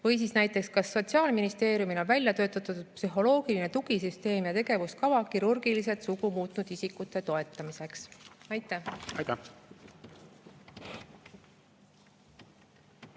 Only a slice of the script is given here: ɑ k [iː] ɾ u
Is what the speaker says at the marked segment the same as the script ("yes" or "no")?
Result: no